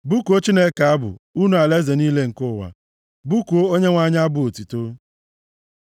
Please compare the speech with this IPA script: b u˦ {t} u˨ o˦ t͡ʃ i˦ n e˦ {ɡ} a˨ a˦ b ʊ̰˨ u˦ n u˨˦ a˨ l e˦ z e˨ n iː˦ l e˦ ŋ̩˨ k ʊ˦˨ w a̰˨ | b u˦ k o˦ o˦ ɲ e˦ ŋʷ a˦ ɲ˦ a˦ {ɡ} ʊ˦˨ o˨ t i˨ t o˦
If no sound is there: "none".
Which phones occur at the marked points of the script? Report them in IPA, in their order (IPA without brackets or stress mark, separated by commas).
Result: k, k, b